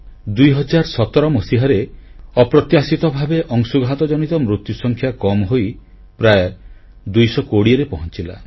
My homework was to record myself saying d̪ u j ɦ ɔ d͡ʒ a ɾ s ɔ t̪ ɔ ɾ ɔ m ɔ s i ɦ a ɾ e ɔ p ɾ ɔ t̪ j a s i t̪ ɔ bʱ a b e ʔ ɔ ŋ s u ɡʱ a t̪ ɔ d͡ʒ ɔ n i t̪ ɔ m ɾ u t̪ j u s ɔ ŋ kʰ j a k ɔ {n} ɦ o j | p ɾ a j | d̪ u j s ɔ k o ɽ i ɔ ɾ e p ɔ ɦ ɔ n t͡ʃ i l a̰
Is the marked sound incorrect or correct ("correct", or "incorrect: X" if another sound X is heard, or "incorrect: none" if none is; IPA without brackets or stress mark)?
incorrect: m